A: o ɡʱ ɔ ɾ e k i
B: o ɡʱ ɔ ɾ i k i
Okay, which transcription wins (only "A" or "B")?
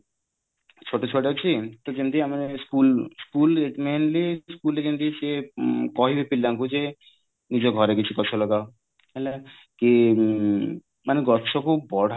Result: A